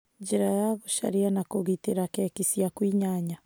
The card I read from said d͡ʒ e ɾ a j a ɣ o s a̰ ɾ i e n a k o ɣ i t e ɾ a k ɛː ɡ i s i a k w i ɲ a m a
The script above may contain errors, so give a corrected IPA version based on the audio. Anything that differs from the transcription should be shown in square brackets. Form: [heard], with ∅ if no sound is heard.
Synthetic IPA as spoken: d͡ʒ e ɾ a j a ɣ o [ʃ] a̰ ɾ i [a] n a k o ɣ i t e ɾ a k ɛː [k] i s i a k w i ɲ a [ɲ] a